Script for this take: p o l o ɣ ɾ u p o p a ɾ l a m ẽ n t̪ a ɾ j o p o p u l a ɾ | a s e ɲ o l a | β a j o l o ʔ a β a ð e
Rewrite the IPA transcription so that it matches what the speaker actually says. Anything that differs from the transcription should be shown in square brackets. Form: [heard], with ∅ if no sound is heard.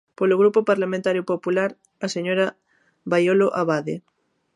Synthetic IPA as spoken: p o l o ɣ ɾ u p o p a ɾ l a m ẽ n t̪ a ɾ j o p o p u l a ɾ | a s e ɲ o [ɾ] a | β a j o l o ʔ a β a ð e